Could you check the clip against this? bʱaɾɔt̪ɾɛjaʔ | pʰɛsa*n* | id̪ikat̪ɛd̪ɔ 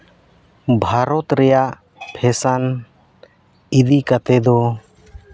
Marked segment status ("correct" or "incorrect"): correct